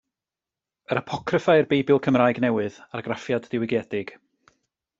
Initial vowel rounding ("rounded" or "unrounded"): unrounded